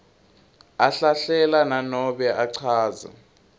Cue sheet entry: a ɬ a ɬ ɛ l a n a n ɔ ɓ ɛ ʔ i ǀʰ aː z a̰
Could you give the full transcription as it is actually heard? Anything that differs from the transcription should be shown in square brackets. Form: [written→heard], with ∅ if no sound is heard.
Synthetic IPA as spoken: a ɬ a ɬ ɛ l a n a n ɔ ɓ ɛ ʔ [i→a] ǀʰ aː z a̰